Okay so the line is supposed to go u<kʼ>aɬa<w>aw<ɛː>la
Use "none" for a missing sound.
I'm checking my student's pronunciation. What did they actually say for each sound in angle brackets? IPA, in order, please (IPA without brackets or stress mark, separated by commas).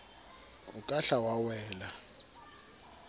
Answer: kʼ, w, ɛː